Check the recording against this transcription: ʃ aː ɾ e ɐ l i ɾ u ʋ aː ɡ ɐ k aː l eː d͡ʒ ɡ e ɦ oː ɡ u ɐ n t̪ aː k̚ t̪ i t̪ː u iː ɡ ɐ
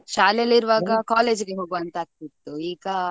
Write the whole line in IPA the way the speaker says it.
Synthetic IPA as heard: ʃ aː l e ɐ l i ɾ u ʋ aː ɡ ɐ k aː l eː d͡ʒ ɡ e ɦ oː ɡ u ɐ n t̪ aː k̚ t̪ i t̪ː u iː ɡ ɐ

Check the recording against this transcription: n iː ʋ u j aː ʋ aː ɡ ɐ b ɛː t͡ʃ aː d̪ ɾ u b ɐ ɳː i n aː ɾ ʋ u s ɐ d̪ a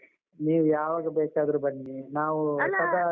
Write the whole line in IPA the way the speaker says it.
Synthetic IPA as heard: n iː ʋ u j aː ʋ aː ɡ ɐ b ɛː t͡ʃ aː d̪ ɾ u b ɐ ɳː i n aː ʋ u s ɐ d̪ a

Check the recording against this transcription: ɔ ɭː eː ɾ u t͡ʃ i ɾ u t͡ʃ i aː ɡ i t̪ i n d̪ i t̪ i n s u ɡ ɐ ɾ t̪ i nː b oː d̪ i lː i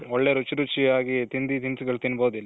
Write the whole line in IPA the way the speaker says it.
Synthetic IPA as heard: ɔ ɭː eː ɾ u t͡ʃ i ɾ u t͡ʃ i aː ɡ i t̪ i n d̪ i t̪ i n s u ɡ ɐ ɭ t̪ i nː b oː d̪ i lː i

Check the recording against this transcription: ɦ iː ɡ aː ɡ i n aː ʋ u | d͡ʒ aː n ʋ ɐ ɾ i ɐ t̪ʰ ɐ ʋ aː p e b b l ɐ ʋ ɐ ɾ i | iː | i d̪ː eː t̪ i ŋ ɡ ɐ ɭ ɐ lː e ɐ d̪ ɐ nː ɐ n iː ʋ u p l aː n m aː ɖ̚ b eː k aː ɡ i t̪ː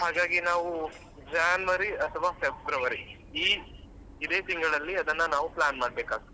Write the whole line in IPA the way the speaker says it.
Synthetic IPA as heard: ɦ aː ɡ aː ɡ i n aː ʋ u | d͡ʒ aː n ʋ ɐ ɾ i ɐ t̪ʰ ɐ ʋ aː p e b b ɾ ɐ ʋ ɐ ɾ i | iː | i d̪ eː t̪ i ŋ ɡ ɐ ɭ ɐ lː i ɐ d̪ ɐ nː ɐ n aː ʋ u p l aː n m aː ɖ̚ b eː k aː ɡ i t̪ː

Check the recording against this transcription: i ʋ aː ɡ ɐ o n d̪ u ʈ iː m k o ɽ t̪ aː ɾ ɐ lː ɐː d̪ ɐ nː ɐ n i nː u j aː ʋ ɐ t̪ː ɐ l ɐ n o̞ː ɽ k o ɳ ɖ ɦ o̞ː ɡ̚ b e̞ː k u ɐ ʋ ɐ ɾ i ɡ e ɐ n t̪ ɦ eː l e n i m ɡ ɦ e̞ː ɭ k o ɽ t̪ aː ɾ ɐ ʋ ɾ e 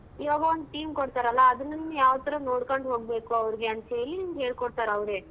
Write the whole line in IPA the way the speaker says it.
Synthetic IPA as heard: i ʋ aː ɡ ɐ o n d̪ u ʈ iː m k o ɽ t̪ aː ɾ ɐ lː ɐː d̪ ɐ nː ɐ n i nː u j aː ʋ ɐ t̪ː ɐ ɾ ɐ n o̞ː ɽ k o ɳ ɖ ɦ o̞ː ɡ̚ b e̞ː k u ɐ ʋ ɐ ɾ i ɡ e ɐ n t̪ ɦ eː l i n i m ɡ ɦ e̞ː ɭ k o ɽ t̪ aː ɾ ɐ ʋ ɾ e

